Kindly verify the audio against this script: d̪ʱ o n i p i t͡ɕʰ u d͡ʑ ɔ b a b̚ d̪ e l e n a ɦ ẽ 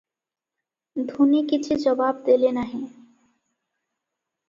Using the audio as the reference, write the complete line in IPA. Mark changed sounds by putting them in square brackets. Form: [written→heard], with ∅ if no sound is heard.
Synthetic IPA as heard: d̪ʱ [o→u] n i [p→k] i t͡ɕʰ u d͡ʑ ɔ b a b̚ d̪ e l e n a ɦ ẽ